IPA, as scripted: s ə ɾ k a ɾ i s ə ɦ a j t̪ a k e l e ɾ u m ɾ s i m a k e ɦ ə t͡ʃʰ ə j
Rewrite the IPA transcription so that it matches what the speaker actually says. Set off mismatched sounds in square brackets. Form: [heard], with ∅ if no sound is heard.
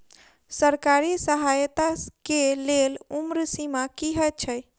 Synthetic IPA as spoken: s ə ɾ k a ɾ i s ə ɦ a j t̪ a k e l e [l] u m ɾ s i m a k [i] ɦ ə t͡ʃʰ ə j